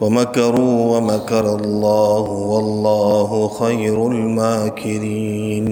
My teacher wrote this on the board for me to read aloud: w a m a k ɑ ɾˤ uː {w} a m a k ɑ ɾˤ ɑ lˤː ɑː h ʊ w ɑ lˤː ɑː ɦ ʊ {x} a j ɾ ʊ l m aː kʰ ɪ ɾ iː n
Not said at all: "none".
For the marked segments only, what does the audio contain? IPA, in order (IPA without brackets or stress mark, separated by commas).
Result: w, x